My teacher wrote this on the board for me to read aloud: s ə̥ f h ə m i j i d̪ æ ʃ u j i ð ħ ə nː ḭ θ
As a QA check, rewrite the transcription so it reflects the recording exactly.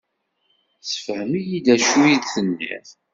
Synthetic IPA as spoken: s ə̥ f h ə m i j i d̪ æ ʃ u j i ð θ ə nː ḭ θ